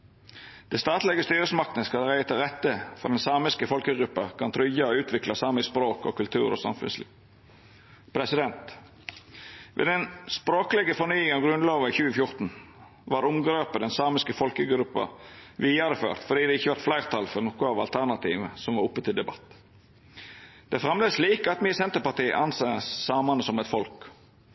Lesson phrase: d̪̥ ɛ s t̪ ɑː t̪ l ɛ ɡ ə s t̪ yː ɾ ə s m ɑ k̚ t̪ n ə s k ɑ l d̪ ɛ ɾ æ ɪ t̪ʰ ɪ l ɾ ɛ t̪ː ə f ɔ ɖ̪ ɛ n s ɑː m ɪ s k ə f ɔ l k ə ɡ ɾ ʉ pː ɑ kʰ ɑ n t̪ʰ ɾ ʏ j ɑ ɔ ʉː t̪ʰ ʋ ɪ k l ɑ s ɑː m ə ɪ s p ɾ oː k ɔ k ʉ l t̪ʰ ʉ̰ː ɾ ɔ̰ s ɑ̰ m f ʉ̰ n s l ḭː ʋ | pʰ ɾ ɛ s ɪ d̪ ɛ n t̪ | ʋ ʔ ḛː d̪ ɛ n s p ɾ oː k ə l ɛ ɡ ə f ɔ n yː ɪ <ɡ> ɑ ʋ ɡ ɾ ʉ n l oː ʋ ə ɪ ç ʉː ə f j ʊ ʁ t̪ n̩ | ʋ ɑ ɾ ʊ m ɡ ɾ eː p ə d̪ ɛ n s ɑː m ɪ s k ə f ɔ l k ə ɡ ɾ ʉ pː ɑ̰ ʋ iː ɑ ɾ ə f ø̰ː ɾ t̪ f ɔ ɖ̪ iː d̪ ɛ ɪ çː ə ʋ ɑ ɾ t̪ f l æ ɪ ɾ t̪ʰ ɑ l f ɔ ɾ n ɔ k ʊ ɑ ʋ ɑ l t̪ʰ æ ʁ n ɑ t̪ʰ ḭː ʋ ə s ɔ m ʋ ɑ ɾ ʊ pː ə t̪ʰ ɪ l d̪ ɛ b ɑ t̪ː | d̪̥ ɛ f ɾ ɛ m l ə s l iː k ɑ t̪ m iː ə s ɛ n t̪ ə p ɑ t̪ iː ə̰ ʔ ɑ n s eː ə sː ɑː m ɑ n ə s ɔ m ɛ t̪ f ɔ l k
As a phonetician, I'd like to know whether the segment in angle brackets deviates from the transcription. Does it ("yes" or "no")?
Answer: yes